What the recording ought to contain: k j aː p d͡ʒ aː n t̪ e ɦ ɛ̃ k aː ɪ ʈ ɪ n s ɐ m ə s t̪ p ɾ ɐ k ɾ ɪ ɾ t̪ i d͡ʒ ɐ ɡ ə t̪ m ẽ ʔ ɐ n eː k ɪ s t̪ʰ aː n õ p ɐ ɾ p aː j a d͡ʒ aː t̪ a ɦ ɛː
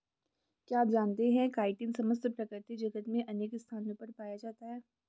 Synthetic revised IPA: k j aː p d͡ʒ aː n t̪ e ɦ ɛ̃ k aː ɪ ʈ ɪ n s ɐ m ə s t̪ p ɾ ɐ k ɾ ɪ ɾ t̪ i d͡ʒ ɐ ɡ ə t̪ m ẽ ʔ ɐ n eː k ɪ s t̪ʰ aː n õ p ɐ ɾ p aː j a d͡ʒ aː t̪ a ɦ ɛː